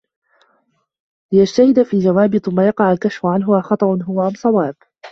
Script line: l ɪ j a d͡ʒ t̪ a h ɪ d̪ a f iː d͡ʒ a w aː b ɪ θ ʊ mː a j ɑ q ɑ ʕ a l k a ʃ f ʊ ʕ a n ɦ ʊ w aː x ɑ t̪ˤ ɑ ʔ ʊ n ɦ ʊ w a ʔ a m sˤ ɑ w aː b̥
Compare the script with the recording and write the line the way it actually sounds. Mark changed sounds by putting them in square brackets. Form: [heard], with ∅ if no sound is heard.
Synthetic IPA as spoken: l ɪ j a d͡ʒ t̪ a h ɪ d̪ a f iː d͡ʒ a w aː b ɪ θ ʊ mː a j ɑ q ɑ ʕ a l k a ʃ f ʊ ʕ a n ɦ ʊ w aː x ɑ t̪ˤ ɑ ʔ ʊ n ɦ ʊ w a ʔ a m sˤ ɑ w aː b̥